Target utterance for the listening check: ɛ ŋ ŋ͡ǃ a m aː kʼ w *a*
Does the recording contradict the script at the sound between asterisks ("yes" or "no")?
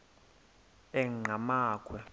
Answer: yes